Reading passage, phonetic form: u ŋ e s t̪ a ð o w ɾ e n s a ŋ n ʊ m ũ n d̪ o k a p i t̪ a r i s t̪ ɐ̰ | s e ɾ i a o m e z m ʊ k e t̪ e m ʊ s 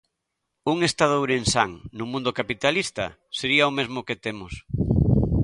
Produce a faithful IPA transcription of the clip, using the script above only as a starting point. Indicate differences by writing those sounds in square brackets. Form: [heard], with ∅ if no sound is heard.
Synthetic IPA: u ŋ e s t̪ a ð o w ɾ e n s a ŋ n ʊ m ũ n d̪ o k a p i t̪ a [l] i s t̪ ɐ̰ | s e ɾ i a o m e z m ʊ k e t̪ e m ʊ s